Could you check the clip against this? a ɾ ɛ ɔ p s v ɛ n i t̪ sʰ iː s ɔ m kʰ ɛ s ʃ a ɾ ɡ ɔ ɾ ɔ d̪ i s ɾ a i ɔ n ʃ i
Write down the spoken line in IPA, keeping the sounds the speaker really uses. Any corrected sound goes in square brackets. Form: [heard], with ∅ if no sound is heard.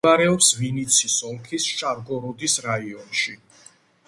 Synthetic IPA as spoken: a ɾ ɛ ɔ p s v [i] n i t̪ sʰ [i] s ɔ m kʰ [i] s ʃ a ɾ ɡ ɔ ɾ ɔ d̪ i s ɾ a i ɔ n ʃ i